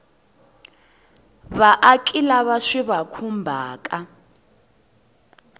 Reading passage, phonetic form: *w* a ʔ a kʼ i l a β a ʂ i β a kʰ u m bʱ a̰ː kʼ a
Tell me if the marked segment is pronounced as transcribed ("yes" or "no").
no